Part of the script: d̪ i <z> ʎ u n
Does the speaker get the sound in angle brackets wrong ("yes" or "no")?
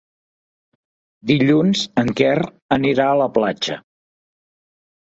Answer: yes